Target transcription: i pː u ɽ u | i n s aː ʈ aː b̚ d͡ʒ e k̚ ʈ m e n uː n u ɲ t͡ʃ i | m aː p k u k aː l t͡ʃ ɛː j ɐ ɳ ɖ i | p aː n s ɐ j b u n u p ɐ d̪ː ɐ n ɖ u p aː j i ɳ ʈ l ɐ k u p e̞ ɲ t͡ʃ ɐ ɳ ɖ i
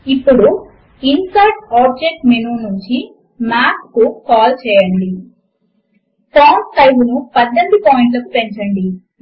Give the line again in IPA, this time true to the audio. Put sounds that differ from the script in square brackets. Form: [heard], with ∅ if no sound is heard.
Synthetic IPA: i pː u ɽ u | i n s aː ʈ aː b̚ d͡ʒ e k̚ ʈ m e n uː n u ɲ t͡ʃ i | m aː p k u k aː l t͡ʃ ɛː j ɐ ɳ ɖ i | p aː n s ɐ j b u n u p ɐ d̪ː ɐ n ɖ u p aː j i ɳ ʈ l ɐ k u p e̞ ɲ t͡ʃ ɐ ɳ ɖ i